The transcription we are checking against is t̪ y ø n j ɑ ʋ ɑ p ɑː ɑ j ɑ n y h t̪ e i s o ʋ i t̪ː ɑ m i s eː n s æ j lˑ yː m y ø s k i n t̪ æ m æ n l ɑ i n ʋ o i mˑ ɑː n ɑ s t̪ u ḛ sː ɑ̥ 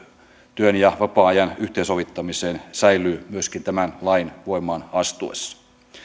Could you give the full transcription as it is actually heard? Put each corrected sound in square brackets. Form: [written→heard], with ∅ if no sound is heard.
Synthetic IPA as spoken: t̪ y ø n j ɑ ʋ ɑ p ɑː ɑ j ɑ n y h t̪ e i s o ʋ i t̪ː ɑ m i s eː n s æ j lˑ yː m y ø s k i n t̪ æ m æ n l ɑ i n ʋ o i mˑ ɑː n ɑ s t̪ u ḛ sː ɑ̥